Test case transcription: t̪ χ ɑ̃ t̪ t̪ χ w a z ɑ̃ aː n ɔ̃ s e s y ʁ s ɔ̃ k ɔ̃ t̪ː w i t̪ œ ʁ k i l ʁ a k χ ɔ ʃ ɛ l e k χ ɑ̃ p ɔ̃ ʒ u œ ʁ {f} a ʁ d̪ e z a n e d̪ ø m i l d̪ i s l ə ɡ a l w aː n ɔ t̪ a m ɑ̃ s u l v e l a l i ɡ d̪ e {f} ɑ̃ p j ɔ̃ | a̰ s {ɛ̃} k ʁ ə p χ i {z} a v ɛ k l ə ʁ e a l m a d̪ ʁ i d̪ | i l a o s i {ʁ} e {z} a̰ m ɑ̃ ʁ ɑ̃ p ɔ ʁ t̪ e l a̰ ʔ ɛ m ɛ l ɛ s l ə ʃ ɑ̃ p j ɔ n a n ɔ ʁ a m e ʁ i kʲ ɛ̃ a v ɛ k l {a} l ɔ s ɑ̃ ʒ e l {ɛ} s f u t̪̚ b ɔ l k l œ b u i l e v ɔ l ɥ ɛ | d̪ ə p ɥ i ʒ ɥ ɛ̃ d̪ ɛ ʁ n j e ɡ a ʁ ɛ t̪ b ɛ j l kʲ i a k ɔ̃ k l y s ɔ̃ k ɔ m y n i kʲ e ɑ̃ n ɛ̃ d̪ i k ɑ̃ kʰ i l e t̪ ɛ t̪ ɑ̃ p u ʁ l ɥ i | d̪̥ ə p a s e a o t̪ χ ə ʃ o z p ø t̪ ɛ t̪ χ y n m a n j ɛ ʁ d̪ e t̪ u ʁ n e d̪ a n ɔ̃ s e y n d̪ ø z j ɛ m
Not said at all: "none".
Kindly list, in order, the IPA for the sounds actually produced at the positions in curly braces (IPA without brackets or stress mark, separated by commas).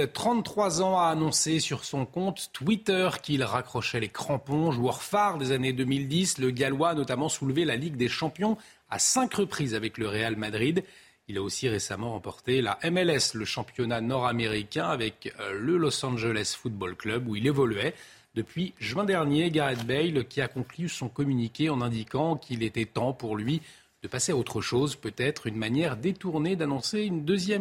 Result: f, ʃ, ɛ̃, z, ʁ, s, ə, ɛ